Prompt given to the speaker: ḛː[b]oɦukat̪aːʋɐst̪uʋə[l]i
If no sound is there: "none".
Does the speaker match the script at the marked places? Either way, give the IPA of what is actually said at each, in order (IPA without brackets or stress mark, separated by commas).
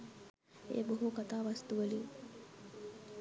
b, l